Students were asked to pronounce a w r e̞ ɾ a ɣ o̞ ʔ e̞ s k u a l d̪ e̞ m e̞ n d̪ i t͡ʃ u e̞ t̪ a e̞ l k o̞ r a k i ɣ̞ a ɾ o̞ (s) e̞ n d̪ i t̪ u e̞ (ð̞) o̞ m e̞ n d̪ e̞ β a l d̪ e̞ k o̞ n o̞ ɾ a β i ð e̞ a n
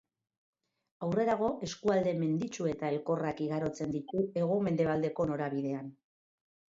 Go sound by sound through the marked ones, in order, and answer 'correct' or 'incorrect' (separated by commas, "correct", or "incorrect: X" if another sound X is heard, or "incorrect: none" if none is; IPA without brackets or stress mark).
incorrect: t͡s, incorrect: ɣ̞